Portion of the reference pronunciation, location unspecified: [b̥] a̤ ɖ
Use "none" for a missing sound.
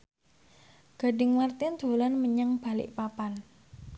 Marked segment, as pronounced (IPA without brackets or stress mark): ɡ̥